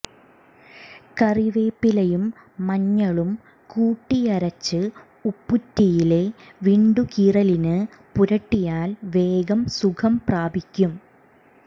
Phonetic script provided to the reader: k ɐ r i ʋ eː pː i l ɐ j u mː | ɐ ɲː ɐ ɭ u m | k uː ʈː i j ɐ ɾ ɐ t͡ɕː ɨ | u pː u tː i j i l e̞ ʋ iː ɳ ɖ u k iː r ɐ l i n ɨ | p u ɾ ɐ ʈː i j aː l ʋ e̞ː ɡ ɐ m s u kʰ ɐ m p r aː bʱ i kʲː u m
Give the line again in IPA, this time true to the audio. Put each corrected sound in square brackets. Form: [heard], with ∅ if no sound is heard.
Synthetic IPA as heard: k ɐ r i ʋ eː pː i l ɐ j u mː | ɐ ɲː ɐ ɭ u m | k uː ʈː i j ɐ ɾ ɐ t͡ɕː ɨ | u pː u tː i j i l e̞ ʋ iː ɳ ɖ u k iː r ɐ l i n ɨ | p u ɾ ɐ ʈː i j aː l ʋ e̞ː ɡ ɐ m s u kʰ ɐ m p r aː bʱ i kʲː u m

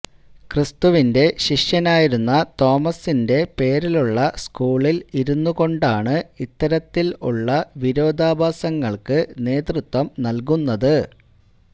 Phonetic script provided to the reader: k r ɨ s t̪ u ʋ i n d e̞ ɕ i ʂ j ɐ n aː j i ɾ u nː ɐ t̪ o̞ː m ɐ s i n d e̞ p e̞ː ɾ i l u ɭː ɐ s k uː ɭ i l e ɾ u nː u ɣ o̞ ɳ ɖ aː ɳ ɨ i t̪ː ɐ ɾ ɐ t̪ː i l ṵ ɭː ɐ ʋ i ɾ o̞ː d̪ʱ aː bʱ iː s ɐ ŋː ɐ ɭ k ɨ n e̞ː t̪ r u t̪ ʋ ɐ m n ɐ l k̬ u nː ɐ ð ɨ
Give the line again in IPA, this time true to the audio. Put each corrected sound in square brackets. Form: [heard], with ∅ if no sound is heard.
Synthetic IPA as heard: k r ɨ s t̪ u ʋ i n d e̞ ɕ i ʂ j ɐ n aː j i ɾ u nː ɐ t̪ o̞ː m ɐ s i n d e̞ p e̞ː ɾ i l u ɭː ɐ s k uː ɭ i l [i] ɾ u nː u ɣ o̞ ɳ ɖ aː ɳ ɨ i t̪ː ɐ ɾ ɐ t̪ː i l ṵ ɭː ɐ ʋ i ɾ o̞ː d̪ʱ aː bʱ [aː] s ɐ ŋː ɐ ɭ k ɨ n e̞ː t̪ r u t̪ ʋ ɐ m n ɐ l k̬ u nː ɐ ð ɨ

